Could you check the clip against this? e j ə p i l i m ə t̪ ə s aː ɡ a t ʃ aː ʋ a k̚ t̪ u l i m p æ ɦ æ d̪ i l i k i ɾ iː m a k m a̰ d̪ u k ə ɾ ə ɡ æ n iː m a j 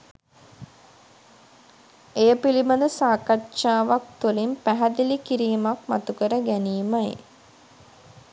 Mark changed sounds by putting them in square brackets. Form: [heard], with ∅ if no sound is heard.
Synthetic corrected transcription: e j ə p i l i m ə [d̪] ə s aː [k] a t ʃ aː ʋ a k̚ t̪ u l i m p æ ɦ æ d̪ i l i k i ɾ iː m a k m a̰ [t̪] u k ə ɾ ə ɡ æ n iː m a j